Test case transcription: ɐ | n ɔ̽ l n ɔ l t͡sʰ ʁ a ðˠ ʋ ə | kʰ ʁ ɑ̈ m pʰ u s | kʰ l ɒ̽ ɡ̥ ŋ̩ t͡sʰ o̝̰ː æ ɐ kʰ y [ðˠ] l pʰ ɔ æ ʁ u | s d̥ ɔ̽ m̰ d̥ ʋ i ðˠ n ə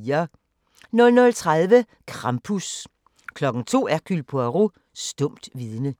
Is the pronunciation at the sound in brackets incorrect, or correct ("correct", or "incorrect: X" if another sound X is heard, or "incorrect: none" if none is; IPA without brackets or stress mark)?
incorrect: none